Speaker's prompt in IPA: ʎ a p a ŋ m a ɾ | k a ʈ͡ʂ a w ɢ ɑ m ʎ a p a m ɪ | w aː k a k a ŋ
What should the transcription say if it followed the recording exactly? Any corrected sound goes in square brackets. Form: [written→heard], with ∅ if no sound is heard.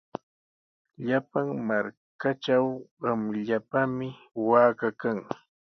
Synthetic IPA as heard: ʎ a p a ŋ m a ɾ | k a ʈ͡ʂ a w ɢ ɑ m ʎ a p a m ɪ | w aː k a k a ŋ